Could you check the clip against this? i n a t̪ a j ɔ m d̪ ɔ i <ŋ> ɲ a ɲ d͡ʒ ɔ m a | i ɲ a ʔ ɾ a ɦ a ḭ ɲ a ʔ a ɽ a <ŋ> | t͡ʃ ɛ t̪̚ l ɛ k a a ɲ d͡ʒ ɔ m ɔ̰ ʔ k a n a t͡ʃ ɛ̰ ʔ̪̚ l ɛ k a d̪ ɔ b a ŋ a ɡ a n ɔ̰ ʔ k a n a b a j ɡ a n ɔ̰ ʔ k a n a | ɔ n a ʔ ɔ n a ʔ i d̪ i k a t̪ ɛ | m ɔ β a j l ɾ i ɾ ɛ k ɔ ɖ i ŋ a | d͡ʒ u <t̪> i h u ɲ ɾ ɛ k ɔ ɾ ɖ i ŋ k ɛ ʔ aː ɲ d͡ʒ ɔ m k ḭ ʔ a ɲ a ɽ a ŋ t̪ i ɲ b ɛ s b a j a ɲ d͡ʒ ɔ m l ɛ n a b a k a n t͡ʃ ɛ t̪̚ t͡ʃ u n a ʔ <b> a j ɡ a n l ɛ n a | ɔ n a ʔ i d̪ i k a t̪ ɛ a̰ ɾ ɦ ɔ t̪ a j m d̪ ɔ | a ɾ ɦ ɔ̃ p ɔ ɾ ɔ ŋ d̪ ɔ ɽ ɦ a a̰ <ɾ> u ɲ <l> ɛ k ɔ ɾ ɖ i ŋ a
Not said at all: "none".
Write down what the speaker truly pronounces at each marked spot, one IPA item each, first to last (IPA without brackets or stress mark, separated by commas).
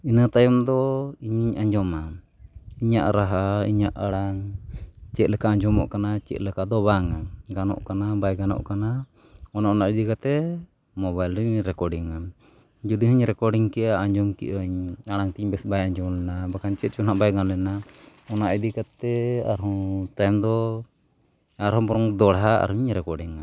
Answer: ɲ, ŋ, d̪, b, ɾ, ɾ